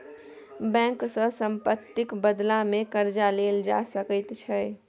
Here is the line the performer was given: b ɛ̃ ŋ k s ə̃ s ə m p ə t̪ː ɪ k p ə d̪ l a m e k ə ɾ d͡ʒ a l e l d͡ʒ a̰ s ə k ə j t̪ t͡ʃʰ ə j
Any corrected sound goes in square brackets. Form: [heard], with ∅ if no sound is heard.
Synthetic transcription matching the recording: b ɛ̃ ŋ k s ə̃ s ə m p ə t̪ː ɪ k [b] ə d̪ l a m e k ə ɾ d͡ʒ a l e l d͡ʒ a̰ s ə k ə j t̪ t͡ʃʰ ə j